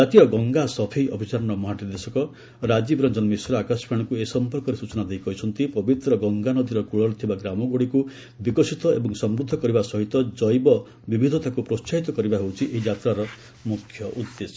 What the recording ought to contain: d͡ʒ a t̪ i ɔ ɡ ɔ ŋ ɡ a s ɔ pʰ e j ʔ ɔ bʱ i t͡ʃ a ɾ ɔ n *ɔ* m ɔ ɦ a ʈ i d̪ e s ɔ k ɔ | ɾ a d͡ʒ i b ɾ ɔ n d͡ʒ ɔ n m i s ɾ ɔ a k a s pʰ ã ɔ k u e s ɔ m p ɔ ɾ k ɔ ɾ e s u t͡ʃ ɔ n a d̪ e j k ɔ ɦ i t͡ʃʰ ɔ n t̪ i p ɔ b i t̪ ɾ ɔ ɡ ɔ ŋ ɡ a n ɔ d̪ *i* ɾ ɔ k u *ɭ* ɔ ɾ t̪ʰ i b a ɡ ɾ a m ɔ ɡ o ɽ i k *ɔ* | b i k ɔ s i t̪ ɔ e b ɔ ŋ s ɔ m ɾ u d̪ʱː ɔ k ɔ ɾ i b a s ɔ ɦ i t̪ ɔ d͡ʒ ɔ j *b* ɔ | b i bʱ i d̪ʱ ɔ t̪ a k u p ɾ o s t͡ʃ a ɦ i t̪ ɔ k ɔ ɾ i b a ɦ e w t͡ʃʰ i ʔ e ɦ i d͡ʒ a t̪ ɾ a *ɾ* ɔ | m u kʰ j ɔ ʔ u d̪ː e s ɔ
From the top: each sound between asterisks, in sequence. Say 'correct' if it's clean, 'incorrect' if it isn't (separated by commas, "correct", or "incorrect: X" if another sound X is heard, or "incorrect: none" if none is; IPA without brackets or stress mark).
correct, correct, correct, incorrect: u, correct, correct